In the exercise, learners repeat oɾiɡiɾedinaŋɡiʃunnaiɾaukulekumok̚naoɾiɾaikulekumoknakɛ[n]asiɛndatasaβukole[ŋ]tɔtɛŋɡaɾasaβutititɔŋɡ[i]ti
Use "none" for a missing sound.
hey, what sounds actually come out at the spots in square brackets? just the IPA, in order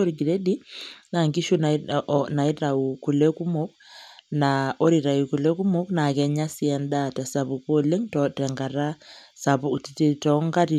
ɲ, ŋ, a

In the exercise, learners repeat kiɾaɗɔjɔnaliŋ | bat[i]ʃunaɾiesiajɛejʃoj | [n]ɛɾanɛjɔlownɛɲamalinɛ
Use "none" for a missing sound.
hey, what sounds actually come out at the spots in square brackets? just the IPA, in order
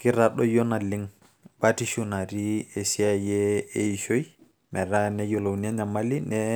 i, m

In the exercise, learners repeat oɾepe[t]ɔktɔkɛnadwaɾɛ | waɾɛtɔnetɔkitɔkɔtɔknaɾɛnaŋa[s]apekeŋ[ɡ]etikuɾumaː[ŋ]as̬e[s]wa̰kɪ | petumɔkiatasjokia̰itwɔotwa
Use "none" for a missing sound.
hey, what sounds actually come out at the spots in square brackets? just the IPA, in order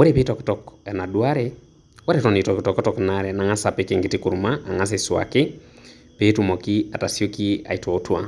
t, s, ɡ, ŋ, s

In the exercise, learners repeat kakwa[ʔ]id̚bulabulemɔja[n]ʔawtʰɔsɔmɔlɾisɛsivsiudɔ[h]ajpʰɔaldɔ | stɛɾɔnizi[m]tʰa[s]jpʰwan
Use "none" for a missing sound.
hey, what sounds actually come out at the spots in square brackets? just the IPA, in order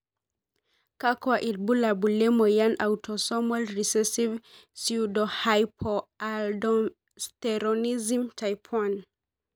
ʔ, n, h, m, none

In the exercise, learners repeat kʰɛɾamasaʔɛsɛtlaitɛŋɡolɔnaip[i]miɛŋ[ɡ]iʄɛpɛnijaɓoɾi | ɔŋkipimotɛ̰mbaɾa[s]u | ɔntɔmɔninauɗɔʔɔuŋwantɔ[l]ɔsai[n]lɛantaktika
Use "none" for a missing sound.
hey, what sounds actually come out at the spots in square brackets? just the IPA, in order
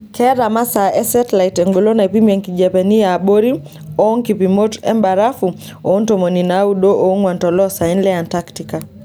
i, k, f, l, n

